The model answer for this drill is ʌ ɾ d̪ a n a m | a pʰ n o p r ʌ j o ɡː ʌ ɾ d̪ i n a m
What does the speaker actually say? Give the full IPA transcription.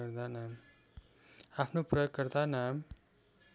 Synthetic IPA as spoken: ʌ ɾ d̪ a n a m | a pʰ n o p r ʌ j o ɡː ʌ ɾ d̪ a n a m